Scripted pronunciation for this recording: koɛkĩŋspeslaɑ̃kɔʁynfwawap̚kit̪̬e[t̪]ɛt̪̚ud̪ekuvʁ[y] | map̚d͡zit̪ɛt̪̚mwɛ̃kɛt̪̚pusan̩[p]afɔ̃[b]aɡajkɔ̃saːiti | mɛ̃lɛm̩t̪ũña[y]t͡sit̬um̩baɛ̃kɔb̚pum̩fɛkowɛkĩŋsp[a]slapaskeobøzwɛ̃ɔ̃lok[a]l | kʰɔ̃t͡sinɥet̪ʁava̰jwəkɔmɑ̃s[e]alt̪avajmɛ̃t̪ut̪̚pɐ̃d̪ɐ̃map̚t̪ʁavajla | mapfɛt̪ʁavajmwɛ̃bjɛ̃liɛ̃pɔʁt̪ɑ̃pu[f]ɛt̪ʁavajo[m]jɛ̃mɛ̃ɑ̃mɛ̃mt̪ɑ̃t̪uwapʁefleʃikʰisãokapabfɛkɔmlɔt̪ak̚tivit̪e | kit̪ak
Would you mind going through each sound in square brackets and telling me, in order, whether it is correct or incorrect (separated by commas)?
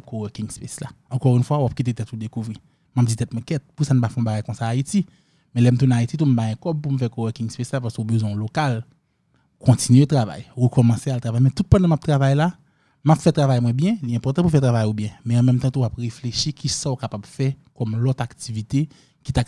correct, incorrect, correct, correct, incorrect, incorrect, correct, correct, correct, incorrect